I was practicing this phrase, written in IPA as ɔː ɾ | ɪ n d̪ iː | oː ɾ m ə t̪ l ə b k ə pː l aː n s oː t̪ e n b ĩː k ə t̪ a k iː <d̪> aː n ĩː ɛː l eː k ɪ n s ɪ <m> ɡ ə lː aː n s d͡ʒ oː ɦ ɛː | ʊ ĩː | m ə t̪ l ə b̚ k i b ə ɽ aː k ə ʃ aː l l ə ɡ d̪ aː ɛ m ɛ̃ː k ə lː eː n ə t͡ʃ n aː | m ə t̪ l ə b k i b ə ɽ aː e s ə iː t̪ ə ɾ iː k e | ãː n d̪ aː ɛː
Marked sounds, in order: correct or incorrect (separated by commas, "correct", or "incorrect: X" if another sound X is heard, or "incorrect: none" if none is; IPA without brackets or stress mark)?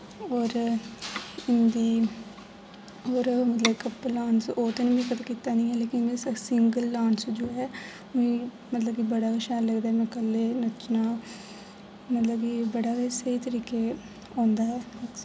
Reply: incorrect: t̪, incorrect: ŋ